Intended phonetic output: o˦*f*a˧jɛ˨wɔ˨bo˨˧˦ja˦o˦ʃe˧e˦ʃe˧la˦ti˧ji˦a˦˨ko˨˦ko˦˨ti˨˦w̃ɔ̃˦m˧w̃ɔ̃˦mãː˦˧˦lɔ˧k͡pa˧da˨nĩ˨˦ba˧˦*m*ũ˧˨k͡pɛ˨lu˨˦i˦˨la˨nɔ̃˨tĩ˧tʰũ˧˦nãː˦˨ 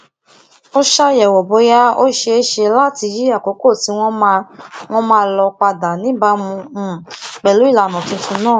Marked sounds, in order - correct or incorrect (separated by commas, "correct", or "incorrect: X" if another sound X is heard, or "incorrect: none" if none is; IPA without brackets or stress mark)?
incorrect: ʃ, correct